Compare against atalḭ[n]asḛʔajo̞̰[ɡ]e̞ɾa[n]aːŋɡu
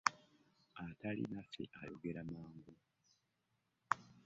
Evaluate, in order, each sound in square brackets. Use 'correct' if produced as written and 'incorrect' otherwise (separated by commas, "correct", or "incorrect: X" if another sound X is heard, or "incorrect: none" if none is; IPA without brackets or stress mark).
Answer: correct, correct, incorrect: m